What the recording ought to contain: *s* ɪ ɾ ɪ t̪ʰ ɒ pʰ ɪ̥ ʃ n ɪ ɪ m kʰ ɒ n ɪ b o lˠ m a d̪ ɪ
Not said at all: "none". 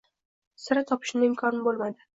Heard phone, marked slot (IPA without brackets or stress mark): s